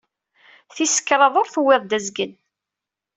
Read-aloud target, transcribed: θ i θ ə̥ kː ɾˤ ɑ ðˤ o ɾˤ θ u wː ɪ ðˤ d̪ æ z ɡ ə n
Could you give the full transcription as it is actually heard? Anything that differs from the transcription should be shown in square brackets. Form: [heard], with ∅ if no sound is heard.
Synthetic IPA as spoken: θ i [s] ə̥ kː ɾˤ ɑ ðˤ o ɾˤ θ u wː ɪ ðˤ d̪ æ z ɡ ə n